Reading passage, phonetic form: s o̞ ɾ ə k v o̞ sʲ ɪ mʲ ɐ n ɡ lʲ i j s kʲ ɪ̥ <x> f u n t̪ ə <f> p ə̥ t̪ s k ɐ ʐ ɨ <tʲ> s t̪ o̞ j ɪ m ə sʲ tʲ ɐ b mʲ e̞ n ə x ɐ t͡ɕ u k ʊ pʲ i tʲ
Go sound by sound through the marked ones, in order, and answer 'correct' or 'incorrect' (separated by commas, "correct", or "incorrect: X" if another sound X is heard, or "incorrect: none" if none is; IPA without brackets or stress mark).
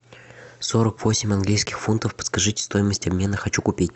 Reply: correct, correct, correct